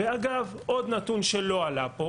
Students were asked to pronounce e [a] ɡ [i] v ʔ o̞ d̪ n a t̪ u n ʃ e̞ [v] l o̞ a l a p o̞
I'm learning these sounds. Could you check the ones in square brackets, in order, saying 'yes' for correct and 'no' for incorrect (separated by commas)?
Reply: yes, no, no